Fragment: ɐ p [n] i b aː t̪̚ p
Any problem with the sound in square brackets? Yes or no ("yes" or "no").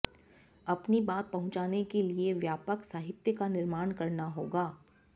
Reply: no